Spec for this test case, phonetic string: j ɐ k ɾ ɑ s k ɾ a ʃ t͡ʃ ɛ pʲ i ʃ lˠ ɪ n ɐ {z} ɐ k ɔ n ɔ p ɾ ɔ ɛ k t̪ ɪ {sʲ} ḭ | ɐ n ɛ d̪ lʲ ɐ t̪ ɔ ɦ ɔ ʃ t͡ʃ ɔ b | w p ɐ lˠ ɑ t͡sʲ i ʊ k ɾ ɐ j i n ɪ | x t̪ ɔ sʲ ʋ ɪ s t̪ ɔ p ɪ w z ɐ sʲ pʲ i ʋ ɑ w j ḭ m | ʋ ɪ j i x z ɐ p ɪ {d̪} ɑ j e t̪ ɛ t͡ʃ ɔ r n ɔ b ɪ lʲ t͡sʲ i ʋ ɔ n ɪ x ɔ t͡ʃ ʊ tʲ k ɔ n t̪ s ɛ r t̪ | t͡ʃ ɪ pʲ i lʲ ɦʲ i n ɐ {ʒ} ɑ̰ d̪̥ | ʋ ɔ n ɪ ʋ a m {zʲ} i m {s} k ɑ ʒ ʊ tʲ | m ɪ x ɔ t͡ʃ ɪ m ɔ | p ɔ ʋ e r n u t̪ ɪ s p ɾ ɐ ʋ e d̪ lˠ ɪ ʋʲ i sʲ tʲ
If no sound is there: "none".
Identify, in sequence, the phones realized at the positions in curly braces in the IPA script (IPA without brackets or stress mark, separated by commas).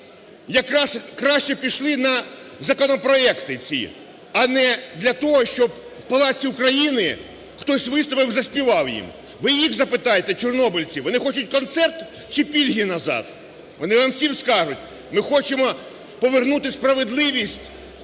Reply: z, t͡sʲ, t̪, z, sʲ, s